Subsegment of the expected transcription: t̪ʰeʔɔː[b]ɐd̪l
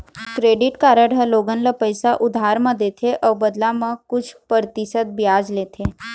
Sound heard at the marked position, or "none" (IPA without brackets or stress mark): b